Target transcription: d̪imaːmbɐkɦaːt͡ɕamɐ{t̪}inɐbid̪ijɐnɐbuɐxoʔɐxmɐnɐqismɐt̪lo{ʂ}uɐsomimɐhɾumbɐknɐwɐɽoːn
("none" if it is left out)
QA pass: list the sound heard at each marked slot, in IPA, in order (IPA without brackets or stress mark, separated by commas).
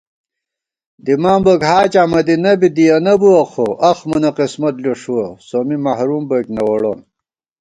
d̪, ʂ